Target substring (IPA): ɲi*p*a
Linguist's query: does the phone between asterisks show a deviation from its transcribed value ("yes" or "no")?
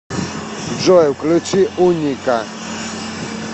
yes